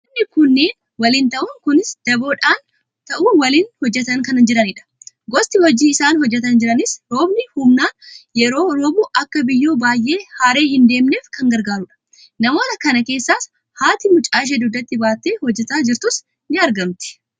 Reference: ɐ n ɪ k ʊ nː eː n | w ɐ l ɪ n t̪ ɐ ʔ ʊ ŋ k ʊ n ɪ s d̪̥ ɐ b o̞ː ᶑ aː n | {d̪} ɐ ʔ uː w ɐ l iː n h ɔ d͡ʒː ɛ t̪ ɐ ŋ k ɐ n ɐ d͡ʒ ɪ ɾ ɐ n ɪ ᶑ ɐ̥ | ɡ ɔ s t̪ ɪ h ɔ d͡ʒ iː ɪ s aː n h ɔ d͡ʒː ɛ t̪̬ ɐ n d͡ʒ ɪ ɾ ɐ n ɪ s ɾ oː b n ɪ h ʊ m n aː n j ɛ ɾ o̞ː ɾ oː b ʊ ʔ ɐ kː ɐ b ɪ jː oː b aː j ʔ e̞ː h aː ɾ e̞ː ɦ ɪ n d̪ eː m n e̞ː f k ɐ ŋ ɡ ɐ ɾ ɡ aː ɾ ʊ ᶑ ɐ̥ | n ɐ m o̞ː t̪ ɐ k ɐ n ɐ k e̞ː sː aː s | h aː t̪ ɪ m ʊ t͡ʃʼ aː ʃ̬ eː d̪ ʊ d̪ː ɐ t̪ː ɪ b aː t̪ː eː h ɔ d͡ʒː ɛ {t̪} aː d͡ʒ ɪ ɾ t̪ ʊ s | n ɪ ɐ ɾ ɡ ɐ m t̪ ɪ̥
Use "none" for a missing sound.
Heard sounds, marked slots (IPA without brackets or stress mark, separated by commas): t̪, t̪